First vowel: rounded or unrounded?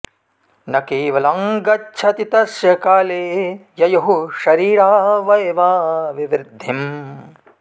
unrounded